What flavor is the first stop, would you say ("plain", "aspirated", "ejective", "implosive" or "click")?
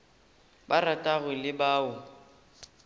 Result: plain